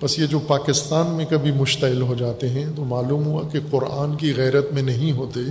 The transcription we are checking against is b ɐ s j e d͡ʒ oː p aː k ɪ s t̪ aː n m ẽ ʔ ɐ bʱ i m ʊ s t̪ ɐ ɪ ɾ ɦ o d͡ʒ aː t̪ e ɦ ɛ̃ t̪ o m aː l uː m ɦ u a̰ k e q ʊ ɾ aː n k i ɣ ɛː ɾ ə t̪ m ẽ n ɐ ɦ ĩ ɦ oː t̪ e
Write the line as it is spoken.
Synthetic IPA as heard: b ɐ s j e d͡ʒ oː p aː k ɪ s t̪ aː n m ẽ k ɐ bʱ i m ʊ ʃ t̪ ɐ ɪ l ɦ o d͡ʒ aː t̪ e ɦ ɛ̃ t̪ o m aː l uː m ɦ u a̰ k e q ʊ ɾ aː n k i ɣ ɛː ɾ ə t̪ m ẽ n ɐ ɦ ĩ ɦ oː t̪ e